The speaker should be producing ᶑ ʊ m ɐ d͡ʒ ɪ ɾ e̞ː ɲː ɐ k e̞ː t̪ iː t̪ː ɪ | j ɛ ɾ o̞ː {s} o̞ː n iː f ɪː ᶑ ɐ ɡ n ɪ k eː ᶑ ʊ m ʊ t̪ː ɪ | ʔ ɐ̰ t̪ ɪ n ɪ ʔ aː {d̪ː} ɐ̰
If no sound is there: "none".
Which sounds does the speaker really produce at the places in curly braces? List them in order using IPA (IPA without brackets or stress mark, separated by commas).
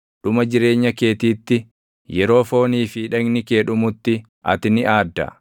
f, d̪ː